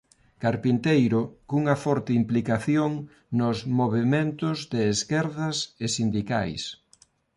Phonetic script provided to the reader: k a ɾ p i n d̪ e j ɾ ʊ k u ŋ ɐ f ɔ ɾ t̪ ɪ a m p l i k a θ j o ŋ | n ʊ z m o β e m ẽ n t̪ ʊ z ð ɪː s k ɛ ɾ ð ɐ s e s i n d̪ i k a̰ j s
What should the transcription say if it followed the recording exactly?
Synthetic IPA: k a ɾ p i n t̪ e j ɾ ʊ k u ŋ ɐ f ɔ ɾ t̪ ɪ i m p l i k a θ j o ŋ | n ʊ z m o β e m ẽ n t̪ ʊ z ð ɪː s k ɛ ɾ ð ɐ s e s i n d̪ i k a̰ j s